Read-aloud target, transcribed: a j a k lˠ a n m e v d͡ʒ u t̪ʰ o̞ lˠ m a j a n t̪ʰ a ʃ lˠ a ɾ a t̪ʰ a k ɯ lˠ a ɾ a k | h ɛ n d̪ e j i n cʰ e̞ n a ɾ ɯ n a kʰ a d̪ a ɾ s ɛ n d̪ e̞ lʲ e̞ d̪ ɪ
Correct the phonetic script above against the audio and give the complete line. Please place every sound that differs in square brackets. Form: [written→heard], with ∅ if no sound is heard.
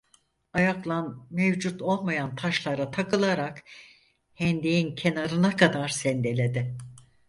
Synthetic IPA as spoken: a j a k lˠ a n m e v d͡ʒ u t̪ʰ o̞ lˠ m a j a n t̪ʰ a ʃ lˠ a ɾ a t̪ʰ a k ɯ lˠ a ɾ a k | h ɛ n d̪ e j i n cʰ e̞ n a ɾ ɯ n a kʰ a d̪ a ɾ s ɛ n d̪ e̞ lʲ e̞ d̪ ɪ